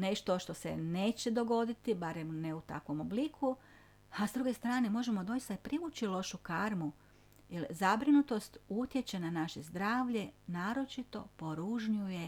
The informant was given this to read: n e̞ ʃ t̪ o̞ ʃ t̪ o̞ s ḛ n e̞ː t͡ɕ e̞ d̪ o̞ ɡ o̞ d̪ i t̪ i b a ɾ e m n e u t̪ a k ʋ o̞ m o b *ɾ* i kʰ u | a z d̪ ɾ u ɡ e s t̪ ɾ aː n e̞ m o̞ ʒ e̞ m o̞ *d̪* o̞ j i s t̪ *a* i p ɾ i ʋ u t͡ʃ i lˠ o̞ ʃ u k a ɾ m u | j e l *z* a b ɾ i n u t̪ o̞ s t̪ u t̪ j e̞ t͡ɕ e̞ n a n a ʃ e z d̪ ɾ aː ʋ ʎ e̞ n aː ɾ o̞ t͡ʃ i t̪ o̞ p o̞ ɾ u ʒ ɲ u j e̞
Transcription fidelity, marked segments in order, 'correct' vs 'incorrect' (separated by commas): incorrect, correct, correct, correct